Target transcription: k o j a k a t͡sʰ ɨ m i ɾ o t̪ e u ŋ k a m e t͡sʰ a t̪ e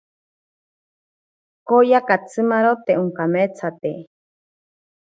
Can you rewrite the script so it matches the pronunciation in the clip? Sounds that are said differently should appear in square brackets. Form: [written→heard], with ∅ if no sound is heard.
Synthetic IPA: k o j a k a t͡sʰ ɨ m [i→a] ɾ o t̪ e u ŋ k a m e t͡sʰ a t̪ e